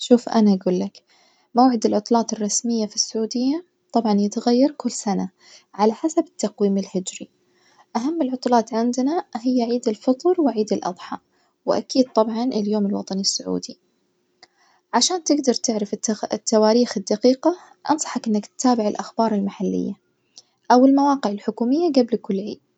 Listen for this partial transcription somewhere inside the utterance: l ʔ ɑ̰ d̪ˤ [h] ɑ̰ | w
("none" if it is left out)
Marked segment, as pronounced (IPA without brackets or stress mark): ħ